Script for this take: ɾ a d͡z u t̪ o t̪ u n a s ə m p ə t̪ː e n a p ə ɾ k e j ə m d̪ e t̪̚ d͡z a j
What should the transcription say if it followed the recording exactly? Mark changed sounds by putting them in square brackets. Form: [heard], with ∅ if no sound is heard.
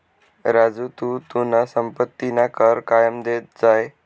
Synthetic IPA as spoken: ɾ a d͡z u t̪ [u] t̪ u n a s ə m p ə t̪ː [i] n a [k] ə ɾ k [a] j ə m d̪ e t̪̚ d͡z a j